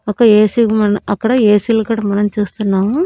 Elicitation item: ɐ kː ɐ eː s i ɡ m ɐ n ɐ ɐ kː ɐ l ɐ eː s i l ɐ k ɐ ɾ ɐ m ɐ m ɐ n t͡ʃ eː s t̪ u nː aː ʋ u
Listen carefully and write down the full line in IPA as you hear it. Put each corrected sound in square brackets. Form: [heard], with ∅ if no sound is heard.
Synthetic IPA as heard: ɐ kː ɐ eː s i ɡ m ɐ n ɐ ɐ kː ɐ [ɽ] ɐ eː s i l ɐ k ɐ [ɽ] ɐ m ɐ [n] ɐ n t͡ʃ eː s t̪ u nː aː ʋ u